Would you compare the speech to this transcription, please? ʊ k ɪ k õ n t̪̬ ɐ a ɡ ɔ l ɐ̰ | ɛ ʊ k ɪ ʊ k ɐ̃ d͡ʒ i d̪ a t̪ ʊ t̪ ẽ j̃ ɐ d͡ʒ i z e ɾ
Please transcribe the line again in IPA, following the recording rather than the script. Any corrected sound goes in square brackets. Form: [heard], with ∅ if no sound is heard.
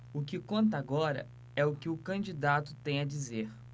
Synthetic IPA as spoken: ʊ k ɪ k õ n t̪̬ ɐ a ɡ ɔ [ɾ] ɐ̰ | ɛ ʊ k ɪ ʊ k ɐ̃ d͡ʒ i d̪ a t̪ ʊ t̪ ẽ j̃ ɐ d͡ʒ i z e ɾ